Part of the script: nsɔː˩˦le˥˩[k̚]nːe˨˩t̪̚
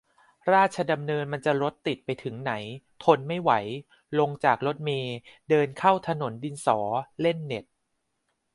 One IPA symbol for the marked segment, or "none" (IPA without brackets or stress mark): none